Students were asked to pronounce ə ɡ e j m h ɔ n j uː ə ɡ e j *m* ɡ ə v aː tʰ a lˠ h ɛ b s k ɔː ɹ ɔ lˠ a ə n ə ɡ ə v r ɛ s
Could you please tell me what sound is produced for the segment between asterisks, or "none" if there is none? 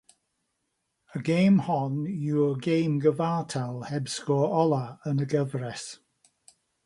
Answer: m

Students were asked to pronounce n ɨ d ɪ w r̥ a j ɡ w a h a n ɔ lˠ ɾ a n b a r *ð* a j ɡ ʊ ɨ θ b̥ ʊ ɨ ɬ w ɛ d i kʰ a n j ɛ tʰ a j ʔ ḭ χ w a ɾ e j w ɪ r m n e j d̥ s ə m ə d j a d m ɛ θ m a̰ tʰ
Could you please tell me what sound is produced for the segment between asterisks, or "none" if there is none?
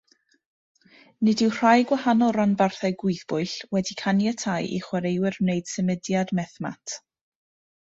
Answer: θ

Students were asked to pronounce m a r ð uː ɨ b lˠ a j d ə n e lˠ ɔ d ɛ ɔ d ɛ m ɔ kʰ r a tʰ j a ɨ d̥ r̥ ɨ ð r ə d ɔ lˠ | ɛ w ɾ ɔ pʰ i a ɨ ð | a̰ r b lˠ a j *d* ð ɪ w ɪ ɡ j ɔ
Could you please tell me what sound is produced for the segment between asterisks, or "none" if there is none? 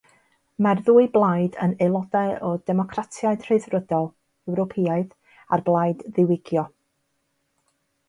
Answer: d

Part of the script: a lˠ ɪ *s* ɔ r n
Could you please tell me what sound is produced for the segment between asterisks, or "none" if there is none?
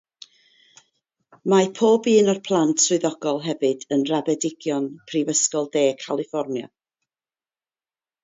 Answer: f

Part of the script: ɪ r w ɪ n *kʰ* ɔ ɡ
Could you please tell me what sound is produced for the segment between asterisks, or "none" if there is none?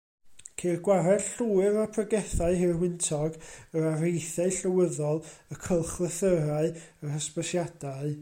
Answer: tʰ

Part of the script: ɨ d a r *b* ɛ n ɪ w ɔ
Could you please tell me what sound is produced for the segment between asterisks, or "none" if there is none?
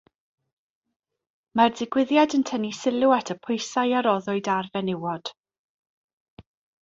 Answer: v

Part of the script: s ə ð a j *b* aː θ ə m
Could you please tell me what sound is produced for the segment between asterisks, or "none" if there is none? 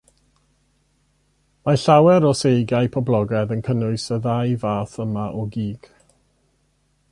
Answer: v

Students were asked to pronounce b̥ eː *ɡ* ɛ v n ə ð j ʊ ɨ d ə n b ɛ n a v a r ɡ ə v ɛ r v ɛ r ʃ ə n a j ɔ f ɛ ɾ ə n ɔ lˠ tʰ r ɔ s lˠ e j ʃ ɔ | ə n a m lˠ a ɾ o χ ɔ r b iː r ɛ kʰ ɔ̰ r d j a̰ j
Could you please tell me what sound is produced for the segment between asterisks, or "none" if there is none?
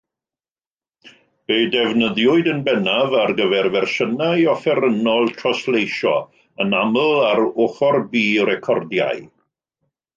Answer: d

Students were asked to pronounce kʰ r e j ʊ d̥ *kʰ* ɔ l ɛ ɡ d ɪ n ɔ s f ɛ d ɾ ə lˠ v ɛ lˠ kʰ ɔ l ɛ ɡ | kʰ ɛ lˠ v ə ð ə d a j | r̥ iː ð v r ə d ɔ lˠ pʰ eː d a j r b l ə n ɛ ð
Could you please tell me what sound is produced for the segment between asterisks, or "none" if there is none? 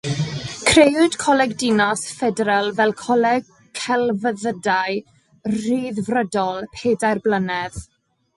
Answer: kʰ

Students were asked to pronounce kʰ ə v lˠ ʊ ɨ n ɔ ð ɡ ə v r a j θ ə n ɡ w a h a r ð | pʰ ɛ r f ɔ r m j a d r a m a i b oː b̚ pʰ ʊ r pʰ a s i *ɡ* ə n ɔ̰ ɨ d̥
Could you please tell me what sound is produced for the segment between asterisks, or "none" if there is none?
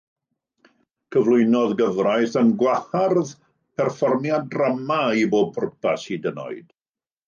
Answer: d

